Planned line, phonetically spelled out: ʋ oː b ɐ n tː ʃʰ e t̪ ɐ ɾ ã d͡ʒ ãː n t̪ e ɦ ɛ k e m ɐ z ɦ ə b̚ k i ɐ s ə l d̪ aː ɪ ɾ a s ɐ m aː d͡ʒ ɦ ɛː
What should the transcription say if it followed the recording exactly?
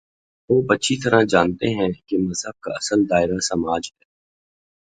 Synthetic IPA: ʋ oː b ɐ tː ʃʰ i t̪ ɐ ɾ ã d͡ʒ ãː n t̪ e ɦ ɛ̃ k e m ɐ z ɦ ə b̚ k a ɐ s ə l d̪ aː ɪ ɾ a s ɐ m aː d͡ʒ ɦ ɛː